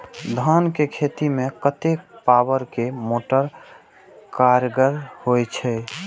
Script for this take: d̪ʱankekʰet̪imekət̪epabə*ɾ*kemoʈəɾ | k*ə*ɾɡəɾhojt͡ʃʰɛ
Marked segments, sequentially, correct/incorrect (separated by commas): correct, incorrect